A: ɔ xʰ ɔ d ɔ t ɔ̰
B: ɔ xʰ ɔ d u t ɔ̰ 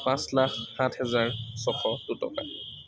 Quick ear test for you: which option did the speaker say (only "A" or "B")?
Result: B